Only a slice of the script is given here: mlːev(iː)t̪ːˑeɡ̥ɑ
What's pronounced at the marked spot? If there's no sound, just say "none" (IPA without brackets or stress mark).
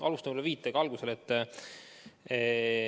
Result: iː